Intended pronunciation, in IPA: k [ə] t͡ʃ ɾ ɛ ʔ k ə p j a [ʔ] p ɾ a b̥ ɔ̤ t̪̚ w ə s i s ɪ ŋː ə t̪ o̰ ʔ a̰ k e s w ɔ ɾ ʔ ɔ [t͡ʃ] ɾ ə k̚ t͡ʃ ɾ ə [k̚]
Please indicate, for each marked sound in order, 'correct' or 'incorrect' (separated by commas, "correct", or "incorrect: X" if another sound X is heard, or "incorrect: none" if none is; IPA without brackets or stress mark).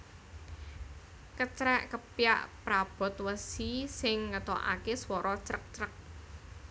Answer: correct, correct, correct, correct